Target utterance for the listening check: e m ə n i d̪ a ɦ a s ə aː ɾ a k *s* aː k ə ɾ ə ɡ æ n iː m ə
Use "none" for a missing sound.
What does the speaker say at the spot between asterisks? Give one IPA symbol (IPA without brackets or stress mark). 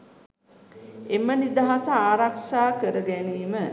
ʂ